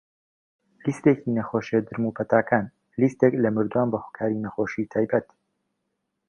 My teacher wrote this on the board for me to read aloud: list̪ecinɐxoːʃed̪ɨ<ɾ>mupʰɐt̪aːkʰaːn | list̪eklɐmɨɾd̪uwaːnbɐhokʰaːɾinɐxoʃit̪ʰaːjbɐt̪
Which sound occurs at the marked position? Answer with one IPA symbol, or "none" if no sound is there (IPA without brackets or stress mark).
ɾ